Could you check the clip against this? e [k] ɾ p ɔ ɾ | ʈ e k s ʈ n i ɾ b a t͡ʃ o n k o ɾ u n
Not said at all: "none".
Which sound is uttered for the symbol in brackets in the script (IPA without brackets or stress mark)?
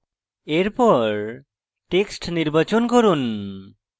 none